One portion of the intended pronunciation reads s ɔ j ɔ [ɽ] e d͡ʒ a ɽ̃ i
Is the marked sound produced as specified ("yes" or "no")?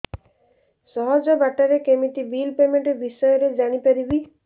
no